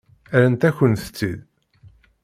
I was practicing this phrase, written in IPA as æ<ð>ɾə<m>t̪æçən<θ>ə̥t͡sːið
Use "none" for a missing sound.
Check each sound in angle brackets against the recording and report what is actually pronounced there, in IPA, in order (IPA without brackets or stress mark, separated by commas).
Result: none, n, θ